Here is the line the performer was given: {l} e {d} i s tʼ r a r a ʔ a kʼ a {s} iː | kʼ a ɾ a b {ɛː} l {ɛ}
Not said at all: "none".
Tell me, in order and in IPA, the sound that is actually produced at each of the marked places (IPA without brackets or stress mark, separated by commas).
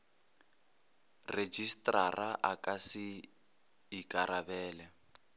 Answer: r, d͡ʒ, s, ɛː, ɛ